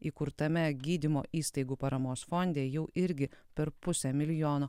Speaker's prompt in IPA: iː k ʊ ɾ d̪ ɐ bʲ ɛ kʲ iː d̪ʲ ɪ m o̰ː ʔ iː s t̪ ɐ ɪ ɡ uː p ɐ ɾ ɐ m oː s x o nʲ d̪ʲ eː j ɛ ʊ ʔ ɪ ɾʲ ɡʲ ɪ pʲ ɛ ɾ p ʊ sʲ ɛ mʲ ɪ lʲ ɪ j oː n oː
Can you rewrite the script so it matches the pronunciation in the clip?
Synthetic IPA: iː k ʊ ɾ t̪ ɐ mʲ ɛ ɡʲ iː d̪ʲ ɪ m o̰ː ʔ iː s t̪ ɐ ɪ ɡ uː p ɐ ɾ ɐ m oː s f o nʲ d̪ʲ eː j ɛ ʊ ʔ ɪ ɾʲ ɡʲ ɪ pʲ ɛ ɾ p ʊ sʲ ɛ mʲ ɪ lʲ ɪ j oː n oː